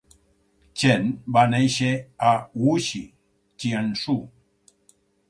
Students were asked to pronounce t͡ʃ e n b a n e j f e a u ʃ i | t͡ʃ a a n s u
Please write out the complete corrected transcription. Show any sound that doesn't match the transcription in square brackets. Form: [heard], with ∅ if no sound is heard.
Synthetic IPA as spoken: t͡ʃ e n b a n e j [ʃ] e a u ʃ i | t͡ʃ [i] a n s u